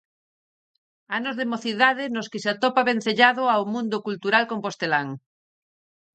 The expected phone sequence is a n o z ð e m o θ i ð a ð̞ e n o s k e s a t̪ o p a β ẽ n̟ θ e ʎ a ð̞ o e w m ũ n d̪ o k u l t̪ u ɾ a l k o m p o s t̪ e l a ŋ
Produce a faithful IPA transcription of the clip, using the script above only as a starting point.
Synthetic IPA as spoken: a n o z ð e m o θ i ð a ð̞ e n o s k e s a t̪ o p a β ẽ n̟ θ e ʎ a ð̞ o a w m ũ n d̪ o k u l t̪ u ɾ a l k o m p o s t̪ e l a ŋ